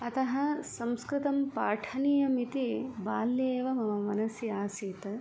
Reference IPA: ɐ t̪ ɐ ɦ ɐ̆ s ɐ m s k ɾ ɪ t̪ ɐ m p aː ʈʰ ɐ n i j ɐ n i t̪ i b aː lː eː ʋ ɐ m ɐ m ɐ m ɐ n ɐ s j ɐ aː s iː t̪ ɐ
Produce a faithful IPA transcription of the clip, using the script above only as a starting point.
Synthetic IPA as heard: ɐ t̪ ɐ ɦ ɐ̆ s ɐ m s k ɾ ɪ t̪ ɐ m p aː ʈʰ ɐ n i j ɐ m i t̪ i b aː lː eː ʋ ɐ m ɐ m ɐ m ɐ n ɐ s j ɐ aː s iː t̪ ɐ